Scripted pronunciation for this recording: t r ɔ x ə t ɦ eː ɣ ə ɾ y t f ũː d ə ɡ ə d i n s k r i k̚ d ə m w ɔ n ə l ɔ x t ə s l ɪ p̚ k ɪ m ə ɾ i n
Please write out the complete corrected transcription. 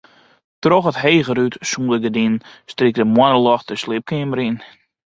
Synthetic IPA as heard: t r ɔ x ə t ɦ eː ɣ ə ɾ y t s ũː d ə ɡ ə d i n s t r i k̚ d ə m w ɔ n ə l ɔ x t ə s l ɪ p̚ k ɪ m ə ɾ i n